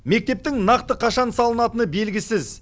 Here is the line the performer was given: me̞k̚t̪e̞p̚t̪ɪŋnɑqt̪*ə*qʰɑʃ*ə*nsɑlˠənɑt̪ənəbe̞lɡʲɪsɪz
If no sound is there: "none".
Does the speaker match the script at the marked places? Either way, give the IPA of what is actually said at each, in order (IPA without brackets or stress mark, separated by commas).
ə, ɑ